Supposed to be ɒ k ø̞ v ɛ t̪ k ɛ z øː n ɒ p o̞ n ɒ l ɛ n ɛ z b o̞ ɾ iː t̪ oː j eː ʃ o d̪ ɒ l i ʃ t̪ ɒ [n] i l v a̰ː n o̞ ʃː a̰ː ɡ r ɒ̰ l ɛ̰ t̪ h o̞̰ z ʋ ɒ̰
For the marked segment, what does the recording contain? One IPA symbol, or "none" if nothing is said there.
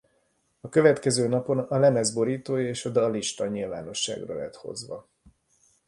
ɲ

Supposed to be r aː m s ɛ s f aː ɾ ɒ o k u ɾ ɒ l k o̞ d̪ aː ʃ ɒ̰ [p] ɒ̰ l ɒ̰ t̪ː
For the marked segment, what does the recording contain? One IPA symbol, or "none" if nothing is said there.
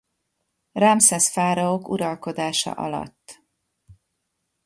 ʔ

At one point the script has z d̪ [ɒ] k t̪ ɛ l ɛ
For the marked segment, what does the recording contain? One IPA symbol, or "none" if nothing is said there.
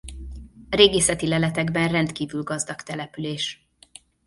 ɒ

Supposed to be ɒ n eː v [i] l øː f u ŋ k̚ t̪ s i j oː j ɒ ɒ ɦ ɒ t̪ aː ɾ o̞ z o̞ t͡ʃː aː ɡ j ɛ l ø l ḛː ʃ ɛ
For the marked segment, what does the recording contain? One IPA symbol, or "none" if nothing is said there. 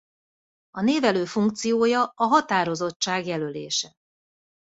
ɛ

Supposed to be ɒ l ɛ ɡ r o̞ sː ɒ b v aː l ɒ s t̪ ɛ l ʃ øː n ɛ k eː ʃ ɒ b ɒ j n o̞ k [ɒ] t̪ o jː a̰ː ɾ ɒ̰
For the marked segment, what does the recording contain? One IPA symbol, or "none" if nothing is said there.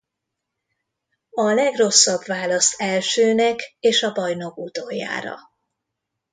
u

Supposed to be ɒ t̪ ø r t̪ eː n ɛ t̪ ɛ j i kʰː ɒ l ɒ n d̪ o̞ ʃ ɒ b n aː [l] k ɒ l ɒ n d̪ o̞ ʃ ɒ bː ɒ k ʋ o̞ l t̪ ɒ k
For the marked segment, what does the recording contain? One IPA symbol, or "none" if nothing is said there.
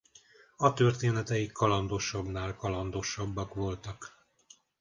l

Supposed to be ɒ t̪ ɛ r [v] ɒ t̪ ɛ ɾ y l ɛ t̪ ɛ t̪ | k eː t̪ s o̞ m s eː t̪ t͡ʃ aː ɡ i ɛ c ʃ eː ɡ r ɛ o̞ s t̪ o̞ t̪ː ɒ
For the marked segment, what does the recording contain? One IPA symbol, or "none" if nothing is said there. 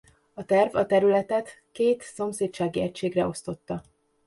v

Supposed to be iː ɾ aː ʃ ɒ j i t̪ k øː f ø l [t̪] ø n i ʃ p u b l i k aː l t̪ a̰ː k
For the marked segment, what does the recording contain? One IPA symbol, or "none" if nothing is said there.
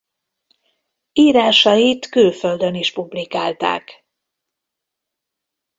d̪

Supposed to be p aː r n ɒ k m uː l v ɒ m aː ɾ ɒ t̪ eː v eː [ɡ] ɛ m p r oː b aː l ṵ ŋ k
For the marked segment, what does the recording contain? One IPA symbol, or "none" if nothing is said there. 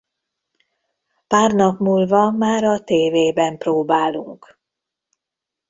b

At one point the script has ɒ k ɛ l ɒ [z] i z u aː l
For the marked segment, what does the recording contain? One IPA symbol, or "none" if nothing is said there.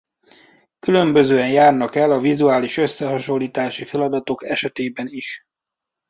v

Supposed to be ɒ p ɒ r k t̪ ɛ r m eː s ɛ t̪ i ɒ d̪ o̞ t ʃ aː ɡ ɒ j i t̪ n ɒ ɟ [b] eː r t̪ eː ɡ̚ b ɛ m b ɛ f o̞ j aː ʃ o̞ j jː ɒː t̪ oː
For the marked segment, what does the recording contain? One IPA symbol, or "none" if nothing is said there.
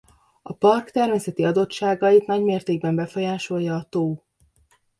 m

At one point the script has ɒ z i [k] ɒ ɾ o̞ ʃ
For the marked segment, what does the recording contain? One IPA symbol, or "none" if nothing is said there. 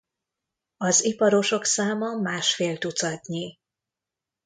p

